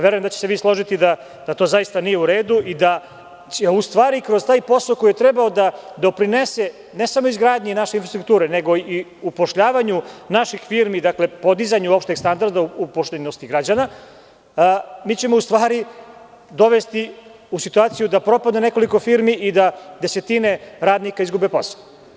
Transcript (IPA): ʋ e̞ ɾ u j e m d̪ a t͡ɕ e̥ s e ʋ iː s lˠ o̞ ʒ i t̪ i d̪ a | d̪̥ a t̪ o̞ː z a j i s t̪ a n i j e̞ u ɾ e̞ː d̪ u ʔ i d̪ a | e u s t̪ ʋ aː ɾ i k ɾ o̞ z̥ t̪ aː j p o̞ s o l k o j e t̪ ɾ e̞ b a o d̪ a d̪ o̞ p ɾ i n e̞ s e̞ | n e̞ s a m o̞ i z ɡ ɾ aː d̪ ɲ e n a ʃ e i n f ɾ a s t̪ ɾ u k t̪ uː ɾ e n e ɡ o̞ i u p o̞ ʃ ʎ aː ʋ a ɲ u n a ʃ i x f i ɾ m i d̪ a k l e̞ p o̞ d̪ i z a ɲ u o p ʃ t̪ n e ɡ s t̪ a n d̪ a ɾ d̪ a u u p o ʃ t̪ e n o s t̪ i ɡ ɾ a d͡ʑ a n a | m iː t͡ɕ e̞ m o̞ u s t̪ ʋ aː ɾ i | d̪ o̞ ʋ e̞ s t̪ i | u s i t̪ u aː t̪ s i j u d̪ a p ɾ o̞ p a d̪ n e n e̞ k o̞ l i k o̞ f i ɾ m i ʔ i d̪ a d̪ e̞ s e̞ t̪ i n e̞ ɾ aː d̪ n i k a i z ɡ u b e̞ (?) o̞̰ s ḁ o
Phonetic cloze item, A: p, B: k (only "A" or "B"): A